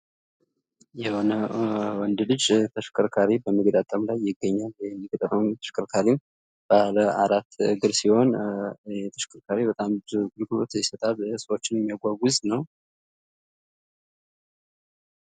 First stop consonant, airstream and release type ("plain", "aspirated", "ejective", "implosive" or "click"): plain